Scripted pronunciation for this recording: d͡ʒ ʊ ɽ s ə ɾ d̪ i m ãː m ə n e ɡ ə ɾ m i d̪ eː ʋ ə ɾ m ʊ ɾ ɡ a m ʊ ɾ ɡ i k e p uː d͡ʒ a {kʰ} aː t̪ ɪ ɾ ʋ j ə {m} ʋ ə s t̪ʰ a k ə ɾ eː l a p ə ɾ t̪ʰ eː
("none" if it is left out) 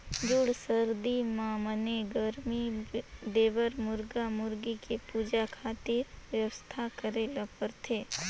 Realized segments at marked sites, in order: kʰ, none

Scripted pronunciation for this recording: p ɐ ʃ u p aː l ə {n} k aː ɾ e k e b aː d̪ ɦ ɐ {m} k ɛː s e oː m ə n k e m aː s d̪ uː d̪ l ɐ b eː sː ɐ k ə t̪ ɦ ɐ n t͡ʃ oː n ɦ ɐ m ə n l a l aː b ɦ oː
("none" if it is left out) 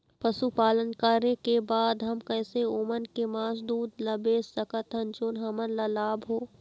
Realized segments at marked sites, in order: n, m

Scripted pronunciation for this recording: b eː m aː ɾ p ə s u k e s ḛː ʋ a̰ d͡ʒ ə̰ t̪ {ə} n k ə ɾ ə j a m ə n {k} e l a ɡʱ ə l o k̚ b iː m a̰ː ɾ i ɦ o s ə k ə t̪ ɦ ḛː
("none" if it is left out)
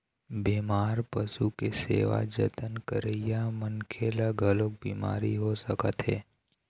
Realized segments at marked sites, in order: ə, kʰ

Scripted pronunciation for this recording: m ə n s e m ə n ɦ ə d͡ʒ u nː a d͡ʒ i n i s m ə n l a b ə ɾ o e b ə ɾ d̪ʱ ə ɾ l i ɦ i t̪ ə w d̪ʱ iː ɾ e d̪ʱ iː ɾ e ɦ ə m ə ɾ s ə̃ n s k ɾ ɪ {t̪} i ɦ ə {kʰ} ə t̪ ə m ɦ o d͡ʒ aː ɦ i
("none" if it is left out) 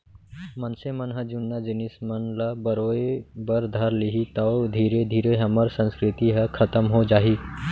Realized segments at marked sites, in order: t̪, kʰ

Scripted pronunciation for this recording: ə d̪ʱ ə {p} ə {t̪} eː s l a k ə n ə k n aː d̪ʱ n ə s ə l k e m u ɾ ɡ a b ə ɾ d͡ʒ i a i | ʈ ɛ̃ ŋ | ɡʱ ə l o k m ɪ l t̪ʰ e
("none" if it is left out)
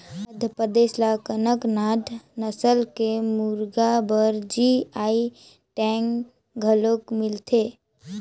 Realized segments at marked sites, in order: p, d̪

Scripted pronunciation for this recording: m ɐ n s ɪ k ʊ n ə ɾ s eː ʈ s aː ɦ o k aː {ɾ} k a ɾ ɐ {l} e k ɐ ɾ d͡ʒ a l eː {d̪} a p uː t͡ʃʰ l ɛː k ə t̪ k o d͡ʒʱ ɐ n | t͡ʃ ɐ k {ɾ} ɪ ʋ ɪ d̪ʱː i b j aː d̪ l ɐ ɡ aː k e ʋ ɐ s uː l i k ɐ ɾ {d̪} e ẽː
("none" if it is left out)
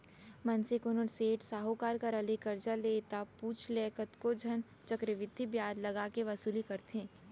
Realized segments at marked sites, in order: ɾ, l, t̪, ɾ, t̪

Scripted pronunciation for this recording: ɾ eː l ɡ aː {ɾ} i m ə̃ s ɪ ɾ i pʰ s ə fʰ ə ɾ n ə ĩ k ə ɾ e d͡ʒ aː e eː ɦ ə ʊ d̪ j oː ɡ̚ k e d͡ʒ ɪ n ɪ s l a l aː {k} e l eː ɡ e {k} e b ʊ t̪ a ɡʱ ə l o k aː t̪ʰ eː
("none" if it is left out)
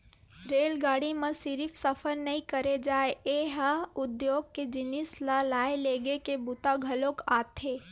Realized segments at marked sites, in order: ɽ, none, k

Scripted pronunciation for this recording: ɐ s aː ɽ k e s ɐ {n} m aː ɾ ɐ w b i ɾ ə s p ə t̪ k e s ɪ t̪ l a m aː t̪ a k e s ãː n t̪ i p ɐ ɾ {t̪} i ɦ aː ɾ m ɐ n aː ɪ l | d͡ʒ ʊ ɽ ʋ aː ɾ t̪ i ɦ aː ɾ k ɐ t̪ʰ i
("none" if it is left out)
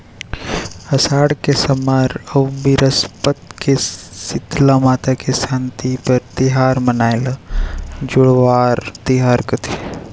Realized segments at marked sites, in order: none, t̪

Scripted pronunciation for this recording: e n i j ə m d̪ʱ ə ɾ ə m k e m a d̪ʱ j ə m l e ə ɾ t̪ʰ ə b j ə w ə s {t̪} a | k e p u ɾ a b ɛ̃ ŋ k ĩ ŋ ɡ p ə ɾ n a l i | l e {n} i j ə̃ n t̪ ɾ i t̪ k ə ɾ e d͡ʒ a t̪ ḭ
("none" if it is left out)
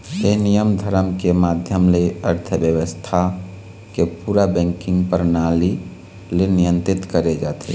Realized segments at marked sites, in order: t̪ʰ, n

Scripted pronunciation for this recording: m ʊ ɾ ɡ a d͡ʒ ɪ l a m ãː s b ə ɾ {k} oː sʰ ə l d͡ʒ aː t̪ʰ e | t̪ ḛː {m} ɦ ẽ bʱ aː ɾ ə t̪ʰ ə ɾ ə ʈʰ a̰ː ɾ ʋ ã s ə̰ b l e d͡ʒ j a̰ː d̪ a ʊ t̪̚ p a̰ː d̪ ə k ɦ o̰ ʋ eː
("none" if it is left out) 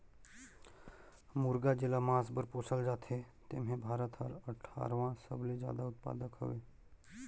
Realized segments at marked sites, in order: p, m

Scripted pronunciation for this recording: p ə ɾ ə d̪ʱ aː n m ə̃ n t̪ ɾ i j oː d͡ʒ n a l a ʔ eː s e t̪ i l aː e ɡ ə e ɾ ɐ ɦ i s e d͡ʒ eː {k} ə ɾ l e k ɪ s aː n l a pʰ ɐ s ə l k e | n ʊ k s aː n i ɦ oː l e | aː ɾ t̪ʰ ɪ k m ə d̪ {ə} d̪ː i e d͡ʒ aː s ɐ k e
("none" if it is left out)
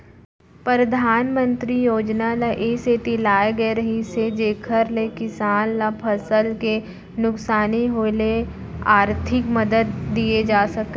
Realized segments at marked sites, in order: kʰ, ə

